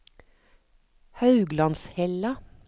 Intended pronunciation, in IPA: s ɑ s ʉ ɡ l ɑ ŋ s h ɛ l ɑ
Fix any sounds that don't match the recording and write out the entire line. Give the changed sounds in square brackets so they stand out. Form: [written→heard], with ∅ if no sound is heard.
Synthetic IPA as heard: [s→h] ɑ [s→∅] ʉ ɡ l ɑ [ŋ→n] s h ɛ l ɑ

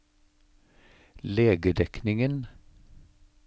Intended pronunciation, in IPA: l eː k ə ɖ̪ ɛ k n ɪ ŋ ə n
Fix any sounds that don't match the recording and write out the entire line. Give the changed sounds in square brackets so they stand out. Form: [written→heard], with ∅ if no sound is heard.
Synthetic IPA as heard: l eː [k→ɡ] ə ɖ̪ ɛ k n ɪ ŋ ə n

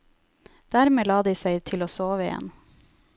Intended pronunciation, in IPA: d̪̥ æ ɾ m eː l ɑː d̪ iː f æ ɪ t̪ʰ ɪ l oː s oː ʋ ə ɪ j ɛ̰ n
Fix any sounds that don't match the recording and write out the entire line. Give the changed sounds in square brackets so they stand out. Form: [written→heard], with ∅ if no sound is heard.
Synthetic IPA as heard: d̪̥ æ ɾ m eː l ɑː d̪ iː [f→s] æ ɪ t̪ʰ ɪ l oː s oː ʋ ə ɪ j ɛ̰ n

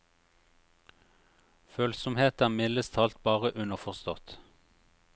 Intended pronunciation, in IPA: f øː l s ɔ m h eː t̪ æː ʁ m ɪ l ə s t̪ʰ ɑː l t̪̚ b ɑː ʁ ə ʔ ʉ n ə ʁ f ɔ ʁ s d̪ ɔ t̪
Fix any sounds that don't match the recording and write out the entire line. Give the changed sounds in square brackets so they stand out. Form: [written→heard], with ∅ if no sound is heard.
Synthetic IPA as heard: f øː l s ɔ m h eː t̪ æː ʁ m ɪ l ə s t̪ʰ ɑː l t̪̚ b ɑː ʁ ə ʔ ʉ n ə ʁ f ɔ ʁ s [d̪→t̪] ɔ t̪

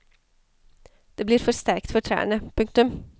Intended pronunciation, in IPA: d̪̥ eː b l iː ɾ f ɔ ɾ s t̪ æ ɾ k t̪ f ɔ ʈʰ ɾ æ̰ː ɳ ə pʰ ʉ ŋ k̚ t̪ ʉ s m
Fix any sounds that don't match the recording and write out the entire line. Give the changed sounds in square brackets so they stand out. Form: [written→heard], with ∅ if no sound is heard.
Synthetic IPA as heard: d̪̥ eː b l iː ɾ f ɔ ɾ s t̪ æ ɾ k t̪ f ɔ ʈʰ ɾ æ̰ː ɳ ə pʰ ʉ ŋ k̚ t̪ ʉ [s→∅] m

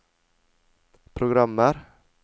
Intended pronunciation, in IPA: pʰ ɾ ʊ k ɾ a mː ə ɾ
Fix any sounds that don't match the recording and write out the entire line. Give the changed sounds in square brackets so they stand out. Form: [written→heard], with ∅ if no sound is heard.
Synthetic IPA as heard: pʰ ɾ ʊ [k→ɡ] ɾ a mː ə ɾ

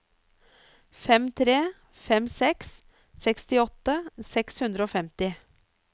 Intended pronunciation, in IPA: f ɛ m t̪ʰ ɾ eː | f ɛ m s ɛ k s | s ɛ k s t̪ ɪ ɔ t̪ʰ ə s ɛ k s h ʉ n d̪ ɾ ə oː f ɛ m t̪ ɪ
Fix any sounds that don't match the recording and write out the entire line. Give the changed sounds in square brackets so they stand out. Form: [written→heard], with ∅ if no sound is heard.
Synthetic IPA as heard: f ɛ m t̪ʰ ɾ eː | f ɛ m s ɛ k s | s ɛ k s t̪ ɪ ɔ [t̪ʰ→t̪] ə s ɛ k s h ʉ n d̪ ɾ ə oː f ɛ m t̪ ɪ

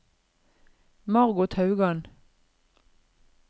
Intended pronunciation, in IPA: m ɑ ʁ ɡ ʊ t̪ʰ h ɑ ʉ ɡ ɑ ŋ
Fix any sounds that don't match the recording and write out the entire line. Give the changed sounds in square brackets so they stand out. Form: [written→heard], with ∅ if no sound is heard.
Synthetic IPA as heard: m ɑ ʁ ɡ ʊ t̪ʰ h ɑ ʉ ɡ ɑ [ŋ→n]

